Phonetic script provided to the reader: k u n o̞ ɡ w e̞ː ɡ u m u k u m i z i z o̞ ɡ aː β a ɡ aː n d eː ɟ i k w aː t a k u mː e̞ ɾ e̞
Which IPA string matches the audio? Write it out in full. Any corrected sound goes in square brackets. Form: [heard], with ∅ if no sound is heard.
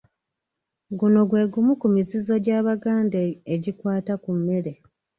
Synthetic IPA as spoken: [ɡ] u n o̞ ɡ w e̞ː ɡ u m u k u m i z i z o̞ [ɟ] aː β a ɡ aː n d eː ɟ i k w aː t a k u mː e̞ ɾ e̞